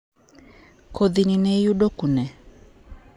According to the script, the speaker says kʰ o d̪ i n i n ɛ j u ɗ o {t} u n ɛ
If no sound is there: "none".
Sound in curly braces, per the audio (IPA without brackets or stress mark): k